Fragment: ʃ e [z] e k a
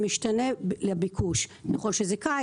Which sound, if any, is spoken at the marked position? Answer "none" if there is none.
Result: z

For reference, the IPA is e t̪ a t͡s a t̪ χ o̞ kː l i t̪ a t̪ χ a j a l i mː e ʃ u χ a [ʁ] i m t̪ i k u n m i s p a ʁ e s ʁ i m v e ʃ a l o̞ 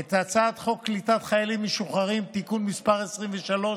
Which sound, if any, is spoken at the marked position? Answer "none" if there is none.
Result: ʁ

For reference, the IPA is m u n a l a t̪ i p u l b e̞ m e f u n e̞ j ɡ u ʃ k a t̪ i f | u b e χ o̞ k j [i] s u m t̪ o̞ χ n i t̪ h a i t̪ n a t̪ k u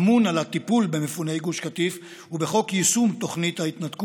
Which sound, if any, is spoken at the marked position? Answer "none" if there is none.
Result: i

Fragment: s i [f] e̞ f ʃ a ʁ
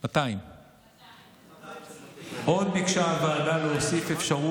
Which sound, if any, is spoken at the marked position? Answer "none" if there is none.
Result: f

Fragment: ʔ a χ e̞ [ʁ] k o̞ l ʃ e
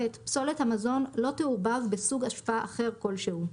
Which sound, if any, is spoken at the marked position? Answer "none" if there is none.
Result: ʁ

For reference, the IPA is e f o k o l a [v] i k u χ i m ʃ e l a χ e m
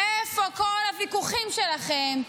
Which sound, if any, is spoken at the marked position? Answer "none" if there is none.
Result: v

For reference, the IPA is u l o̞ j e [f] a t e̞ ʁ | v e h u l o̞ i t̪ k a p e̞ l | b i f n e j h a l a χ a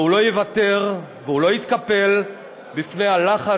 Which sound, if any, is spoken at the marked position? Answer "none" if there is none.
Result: v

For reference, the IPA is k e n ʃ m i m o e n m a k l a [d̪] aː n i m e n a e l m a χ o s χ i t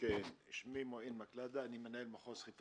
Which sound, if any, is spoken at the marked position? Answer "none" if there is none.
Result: d̪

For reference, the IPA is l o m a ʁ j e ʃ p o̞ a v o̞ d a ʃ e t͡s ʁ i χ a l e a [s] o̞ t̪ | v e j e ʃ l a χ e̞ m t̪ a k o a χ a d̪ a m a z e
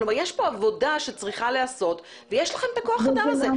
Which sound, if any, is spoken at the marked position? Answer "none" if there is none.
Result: s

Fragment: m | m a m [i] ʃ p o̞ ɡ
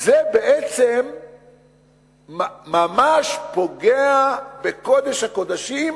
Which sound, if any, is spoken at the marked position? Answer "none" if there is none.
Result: a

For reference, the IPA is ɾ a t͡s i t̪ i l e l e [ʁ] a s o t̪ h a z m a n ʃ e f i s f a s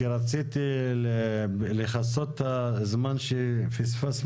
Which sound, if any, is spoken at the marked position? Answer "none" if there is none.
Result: χ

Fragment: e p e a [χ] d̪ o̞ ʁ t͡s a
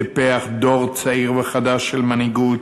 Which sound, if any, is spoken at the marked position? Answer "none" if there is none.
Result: χ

